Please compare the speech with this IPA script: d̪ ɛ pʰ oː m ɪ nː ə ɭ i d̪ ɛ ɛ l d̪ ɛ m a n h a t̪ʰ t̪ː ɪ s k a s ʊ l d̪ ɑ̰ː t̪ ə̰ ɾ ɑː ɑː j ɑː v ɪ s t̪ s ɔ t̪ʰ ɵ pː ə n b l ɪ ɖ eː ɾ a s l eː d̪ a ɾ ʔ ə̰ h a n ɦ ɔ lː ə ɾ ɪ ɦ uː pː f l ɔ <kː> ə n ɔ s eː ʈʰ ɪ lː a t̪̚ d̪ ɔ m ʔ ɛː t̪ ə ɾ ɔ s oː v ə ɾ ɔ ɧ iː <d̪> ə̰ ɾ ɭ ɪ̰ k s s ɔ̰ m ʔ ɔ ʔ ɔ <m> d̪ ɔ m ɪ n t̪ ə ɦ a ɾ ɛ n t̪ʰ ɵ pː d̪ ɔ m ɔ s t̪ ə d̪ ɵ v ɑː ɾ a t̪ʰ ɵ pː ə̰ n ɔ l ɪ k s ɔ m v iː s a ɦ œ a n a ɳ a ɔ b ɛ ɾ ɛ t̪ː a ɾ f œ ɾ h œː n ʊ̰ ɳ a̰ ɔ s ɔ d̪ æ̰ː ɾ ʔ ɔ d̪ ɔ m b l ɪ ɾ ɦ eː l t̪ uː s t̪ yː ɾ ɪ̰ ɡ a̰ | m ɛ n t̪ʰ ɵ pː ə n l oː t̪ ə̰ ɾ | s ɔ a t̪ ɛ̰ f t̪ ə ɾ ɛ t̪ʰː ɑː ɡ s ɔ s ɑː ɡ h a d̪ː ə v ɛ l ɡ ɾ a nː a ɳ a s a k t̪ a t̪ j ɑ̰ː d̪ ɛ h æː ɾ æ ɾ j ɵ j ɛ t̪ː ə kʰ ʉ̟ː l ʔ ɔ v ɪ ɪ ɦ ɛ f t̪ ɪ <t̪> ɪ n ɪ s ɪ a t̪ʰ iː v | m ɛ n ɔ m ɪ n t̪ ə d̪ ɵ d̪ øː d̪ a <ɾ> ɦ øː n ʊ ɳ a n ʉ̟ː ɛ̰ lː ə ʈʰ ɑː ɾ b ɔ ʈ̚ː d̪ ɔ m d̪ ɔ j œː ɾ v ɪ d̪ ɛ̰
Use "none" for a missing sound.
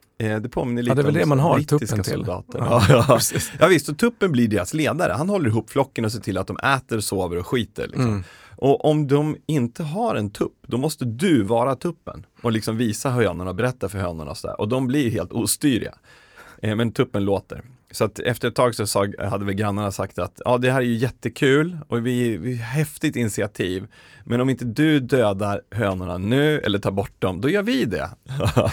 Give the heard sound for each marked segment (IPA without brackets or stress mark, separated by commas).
kː, t̪, m, t̪, ɾ